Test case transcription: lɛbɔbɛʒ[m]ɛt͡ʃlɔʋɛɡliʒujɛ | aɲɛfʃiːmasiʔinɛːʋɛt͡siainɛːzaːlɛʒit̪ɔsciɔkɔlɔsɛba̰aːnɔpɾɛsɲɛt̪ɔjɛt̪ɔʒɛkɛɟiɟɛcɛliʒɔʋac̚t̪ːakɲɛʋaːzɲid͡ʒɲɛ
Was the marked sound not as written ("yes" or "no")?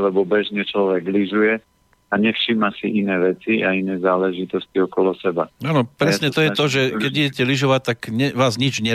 yes